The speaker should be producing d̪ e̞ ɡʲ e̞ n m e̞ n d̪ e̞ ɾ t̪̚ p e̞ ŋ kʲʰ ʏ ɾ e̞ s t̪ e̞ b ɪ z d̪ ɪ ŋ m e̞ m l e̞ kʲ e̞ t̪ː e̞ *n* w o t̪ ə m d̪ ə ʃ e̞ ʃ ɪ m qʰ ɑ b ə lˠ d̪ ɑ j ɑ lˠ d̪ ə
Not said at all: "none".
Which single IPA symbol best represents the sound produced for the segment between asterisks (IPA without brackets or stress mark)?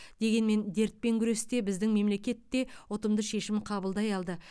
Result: none